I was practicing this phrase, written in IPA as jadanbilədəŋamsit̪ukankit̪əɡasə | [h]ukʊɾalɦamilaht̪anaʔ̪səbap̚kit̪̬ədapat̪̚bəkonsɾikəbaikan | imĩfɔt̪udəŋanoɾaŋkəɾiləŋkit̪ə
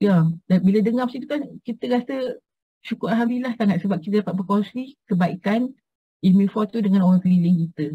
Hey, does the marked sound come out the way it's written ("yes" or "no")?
no